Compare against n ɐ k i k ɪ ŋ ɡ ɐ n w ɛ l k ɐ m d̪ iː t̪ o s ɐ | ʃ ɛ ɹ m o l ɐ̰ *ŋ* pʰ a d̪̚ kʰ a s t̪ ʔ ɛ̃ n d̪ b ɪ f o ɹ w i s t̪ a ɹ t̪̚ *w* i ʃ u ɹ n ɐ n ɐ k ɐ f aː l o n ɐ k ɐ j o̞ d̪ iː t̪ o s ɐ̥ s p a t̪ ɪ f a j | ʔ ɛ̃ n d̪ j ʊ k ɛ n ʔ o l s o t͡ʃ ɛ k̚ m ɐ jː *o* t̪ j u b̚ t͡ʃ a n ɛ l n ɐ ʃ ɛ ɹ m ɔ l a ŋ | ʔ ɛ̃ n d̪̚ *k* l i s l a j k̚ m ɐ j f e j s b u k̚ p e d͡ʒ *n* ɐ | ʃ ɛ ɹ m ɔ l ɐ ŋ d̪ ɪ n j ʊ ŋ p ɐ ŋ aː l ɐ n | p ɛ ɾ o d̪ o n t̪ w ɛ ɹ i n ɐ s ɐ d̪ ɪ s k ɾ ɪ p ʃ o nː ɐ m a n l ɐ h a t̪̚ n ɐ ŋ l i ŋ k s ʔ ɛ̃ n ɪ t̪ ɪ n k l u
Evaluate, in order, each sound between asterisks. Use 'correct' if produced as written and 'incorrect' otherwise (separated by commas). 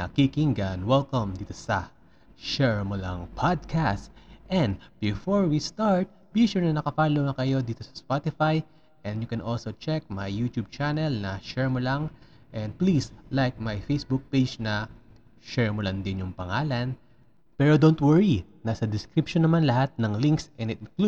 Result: correct, incorrect, incorrect, incorrect, correct